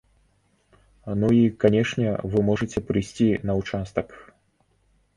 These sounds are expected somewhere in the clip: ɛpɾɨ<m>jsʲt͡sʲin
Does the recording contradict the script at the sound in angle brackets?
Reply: yes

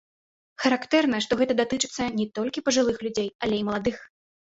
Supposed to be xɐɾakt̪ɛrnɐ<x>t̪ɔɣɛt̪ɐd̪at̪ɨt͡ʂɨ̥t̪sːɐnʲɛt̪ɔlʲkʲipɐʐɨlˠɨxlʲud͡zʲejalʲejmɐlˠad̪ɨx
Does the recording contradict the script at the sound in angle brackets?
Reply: yes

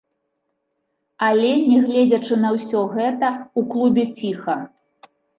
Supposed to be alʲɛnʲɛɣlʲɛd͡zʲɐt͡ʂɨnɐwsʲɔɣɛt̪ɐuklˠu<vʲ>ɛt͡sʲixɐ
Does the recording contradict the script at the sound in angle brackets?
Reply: yes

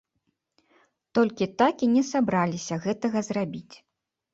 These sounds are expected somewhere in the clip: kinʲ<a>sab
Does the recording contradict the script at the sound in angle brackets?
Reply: yes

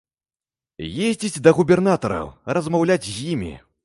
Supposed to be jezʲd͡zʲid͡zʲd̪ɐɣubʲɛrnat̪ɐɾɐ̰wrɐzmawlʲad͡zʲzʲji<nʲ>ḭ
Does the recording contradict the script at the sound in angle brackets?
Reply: yes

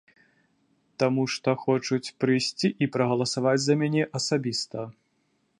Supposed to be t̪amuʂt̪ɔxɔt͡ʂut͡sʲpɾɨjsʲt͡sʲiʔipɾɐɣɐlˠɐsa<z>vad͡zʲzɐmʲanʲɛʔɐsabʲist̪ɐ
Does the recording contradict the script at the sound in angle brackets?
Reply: yes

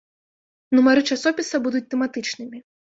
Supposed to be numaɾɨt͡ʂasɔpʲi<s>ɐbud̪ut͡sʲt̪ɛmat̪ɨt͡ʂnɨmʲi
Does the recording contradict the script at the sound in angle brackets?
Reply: no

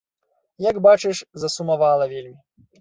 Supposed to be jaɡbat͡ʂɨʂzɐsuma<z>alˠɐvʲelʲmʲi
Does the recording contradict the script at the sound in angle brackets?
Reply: yes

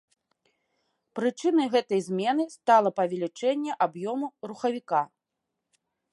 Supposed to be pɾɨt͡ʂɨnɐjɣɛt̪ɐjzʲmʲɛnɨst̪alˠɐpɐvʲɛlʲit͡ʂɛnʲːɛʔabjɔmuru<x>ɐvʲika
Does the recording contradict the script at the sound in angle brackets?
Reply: no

